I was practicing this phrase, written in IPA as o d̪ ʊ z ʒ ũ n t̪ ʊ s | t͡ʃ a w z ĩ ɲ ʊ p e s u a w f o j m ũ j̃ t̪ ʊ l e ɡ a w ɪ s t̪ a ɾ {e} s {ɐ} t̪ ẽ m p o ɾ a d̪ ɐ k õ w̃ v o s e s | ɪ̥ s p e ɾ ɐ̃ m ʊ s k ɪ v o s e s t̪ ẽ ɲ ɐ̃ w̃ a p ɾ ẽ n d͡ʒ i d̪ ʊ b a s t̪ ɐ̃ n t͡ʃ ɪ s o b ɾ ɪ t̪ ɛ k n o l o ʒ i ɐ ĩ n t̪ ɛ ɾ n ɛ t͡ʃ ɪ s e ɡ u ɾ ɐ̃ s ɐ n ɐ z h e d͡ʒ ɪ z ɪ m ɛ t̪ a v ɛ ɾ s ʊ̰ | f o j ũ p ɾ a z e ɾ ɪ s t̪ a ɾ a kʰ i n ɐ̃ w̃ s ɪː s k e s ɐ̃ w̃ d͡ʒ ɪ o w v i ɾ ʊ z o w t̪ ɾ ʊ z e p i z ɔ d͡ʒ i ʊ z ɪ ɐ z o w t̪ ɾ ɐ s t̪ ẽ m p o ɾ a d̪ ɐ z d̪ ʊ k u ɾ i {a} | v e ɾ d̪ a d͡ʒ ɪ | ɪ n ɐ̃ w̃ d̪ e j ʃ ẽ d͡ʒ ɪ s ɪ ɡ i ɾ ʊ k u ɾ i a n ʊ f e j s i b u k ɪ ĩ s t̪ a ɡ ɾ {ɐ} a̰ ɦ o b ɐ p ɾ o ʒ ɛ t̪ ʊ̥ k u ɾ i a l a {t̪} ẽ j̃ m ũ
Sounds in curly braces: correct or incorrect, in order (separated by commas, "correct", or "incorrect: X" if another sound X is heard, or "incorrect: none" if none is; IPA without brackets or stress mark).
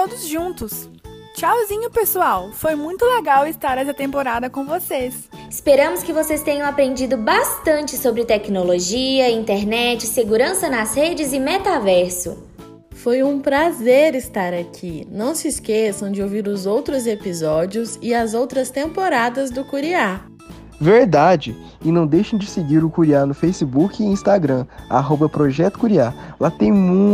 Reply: incorrect: ɛ, correct, correct, incorrect: ɐ̃, correct